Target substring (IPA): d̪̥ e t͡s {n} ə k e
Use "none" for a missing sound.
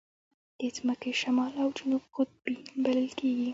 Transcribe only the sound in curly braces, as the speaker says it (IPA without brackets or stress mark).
m